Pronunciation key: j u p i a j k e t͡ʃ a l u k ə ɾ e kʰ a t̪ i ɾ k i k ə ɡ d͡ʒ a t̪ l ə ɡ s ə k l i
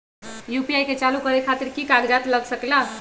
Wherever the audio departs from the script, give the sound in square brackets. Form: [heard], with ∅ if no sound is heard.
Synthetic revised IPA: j u p i a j k e t͡ʃ a l u k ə ɾ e kʰ a t̪ i ɾ k i k [a] ɡ d͡ʒ a t̪ l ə ɡ s ə k l [a]

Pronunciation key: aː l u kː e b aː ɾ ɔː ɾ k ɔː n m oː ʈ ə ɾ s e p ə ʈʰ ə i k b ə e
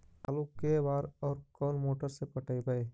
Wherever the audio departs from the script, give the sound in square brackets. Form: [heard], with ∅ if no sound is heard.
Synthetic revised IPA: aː l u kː e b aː ɾ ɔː ɾ k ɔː n m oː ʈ ə ɾ s e p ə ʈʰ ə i [∅] b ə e

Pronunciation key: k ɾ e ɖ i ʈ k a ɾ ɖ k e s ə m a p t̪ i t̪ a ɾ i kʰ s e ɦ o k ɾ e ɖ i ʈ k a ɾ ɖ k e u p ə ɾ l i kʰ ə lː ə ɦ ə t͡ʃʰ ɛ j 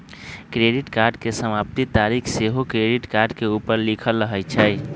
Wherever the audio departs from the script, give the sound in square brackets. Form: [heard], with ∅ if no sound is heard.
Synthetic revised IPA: k ɾ e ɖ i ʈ k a ɾ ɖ k e s ə m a p t̪ i t̪ a ɾ i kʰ s e ɦ o k ɾ e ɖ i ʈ k a ɾ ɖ k e u p ə ɾ l i kʰ ə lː ə ɦ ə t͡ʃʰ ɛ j

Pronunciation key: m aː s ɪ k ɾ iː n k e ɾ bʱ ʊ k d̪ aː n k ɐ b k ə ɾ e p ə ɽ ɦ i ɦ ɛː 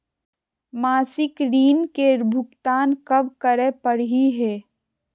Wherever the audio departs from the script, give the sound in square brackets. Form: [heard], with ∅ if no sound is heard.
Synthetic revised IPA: m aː s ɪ k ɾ iː n k e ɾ bʱ ʊ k [t̪] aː n k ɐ b k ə ɾ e p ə ɽ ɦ i ɦ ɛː

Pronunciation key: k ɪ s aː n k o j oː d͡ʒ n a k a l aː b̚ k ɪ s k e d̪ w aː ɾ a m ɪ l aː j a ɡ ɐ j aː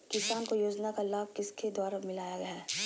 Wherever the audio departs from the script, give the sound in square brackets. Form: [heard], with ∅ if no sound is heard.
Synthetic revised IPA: k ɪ s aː n k o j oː d͡ʒ n a k a l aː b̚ k ɪ s k e d̪ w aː ɾ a m ɪ l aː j a ɡ ɐ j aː

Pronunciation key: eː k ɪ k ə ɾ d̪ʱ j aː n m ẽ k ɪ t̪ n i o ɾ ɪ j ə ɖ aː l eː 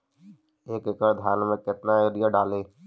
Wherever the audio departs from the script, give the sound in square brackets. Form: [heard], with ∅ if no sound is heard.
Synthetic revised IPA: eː k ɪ k ə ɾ d̪ʱ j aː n m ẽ k ɪ t̪ n [a] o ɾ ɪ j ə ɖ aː l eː

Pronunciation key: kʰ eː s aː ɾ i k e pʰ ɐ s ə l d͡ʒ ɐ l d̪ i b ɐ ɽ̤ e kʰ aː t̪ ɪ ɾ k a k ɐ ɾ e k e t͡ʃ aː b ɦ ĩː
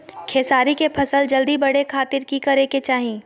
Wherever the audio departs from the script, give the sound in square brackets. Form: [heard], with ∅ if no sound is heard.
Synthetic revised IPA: kʰ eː s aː ɾ i k e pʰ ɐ s ə l d͡ʒ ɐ l d̪ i b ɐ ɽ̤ e kʰ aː t̪ ɪ ɾ k [i] k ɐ ɾ e k e t͡ʃ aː [∅] ɦ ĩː

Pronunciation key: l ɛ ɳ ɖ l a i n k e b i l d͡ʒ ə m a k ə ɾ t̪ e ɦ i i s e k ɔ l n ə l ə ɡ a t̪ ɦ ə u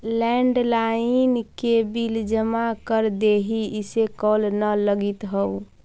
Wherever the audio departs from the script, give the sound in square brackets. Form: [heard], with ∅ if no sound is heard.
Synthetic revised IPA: l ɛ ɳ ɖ l a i n k e b i l d͡ʒ ə m a k ə ɾ [d̪] e ɦ i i s e k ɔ l n ə l ə ɡ [i] t̪ ɦ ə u

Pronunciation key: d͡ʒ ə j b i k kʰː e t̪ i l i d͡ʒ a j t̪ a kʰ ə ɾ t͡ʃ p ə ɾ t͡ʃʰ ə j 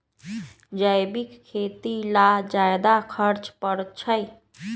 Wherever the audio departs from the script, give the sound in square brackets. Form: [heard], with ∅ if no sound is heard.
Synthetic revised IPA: d͡ʒ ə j b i k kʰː e t̪ i l [a] d͡ʒ a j [d̪] a kʰ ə ɾ t͡ʃ p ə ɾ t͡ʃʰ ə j

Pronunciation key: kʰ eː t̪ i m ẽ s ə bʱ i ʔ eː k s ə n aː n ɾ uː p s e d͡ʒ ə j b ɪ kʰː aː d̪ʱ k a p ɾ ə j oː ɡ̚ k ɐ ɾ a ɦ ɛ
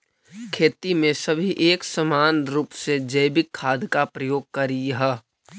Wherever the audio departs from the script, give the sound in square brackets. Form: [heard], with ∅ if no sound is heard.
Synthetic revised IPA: kʰ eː t̪ i m ẽ s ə bʱ i ʔ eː k s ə [m] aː n ɾ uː p s e d͡ʒ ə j b ɪ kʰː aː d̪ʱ k a p ɾ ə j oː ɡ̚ k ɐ ɾ [i] ɦ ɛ

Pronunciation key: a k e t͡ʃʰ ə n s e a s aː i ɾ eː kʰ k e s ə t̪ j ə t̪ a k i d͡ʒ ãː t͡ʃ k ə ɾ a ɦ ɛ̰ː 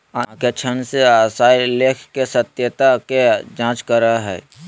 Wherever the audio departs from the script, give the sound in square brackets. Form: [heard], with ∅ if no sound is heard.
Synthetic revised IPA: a k e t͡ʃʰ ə n s e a s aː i [l] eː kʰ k e s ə t̪ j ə t̪ a k [e] d͡ʒ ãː t͡ʃ k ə ɾ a ɦ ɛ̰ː

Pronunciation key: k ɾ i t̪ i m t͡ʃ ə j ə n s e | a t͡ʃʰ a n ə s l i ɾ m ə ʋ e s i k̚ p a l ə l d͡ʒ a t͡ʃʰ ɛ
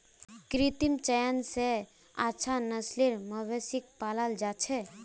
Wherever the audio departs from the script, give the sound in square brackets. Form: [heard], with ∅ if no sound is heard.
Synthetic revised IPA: k ɾ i t̪ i m t͡ʃ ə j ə n s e | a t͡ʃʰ a n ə s l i ɾ m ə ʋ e s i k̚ p a l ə l d͡ʒ a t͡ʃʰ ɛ

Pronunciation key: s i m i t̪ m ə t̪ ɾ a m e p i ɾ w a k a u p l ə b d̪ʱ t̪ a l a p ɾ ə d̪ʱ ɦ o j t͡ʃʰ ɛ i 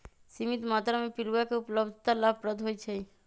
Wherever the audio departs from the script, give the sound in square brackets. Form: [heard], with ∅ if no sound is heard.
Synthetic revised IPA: s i m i t̪ m [a] t̪ ɾ a m e p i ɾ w a k [e] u p l ə b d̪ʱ t̪ a l a p ɾ ə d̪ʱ ɦ o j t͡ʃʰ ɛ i

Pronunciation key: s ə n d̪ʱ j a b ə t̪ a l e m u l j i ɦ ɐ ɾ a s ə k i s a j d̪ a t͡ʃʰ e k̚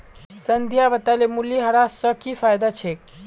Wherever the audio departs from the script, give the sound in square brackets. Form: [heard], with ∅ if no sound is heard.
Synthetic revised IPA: s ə n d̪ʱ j a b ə t̪ a l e m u l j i ɦ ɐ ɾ a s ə k i [f] a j d̪ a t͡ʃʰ e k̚

